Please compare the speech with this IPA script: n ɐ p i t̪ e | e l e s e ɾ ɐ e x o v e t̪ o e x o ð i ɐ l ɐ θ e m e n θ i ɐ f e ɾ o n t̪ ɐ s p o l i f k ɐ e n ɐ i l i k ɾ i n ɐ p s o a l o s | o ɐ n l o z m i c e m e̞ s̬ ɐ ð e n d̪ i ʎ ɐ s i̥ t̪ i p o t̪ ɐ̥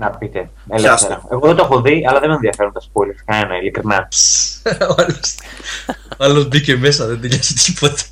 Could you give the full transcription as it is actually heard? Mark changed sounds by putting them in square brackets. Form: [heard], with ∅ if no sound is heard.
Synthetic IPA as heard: n ɐ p i t̪ e | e l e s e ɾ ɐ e [ɣ] o [ð] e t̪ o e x o ð i ɐ l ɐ [ð] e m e n [ð] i ɐ f e ɾ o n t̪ ɐ s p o l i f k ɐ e n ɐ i l i k ɾ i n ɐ p s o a l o s | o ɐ [∅] l o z [b] i c e m e̞ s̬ ɐ ð e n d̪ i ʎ ɐ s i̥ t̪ i p o t̪ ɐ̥